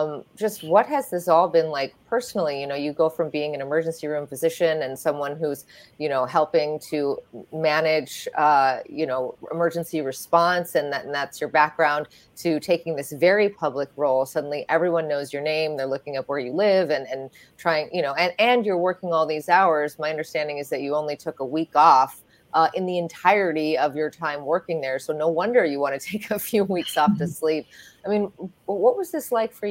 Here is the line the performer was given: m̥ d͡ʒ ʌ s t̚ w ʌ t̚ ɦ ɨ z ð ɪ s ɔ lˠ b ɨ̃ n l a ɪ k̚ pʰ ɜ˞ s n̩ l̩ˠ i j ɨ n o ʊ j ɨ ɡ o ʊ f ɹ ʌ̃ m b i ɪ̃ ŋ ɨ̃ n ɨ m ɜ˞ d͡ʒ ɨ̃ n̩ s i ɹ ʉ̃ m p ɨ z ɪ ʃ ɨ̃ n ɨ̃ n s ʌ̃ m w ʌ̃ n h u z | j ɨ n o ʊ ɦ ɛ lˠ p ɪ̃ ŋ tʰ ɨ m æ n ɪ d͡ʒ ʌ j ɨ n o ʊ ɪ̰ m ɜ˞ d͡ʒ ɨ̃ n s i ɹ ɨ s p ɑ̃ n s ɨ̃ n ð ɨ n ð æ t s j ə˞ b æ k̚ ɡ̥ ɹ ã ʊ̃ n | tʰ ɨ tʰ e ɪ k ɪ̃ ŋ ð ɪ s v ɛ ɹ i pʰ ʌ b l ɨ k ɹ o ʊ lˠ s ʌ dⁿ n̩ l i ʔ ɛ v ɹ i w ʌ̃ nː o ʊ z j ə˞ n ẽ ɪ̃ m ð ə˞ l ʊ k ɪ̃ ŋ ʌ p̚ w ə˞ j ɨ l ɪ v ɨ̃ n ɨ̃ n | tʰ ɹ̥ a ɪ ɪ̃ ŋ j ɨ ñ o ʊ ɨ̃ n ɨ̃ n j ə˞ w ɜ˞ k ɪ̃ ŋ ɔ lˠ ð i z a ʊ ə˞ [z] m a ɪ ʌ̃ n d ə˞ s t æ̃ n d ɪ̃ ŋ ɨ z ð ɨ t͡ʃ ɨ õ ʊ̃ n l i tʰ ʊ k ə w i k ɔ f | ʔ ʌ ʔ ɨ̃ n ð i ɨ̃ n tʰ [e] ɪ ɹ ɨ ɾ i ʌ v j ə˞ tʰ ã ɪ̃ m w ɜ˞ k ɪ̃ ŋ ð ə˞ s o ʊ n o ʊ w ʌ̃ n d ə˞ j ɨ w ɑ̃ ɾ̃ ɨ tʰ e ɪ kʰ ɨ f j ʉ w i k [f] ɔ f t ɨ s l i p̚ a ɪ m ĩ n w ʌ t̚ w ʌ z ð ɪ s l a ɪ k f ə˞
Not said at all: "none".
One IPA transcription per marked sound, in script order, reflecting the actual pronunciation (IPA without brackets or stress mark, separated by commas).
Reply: z, a, s